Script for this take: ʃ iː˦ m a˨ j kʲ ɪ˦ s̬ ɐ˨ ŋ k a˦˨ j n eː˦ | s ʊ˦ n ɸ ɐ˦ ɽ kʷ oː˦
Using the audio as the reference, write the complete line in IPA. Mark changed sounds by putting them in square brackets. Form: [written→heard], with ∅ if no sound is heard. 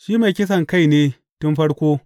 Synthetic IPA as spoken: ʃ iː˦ m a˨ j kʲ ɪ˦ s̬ ɐ˨ ŋ k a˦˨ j n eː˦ | [s→t] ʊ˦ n ɸ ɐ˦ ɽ kʷ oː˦